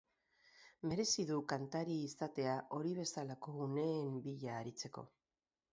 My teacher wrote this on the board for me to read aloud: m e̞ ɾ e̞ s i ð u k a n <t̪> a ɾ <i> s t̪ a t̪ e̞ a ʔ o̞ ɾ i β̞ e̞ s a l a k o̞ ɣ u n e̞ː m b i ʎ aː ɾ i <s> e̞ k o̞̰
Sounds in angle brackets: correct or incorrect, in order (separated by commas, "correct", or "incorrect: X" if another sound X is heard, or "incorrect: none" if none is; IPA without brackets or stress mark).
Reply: correct, incorrect: iː, incorrect: t͡s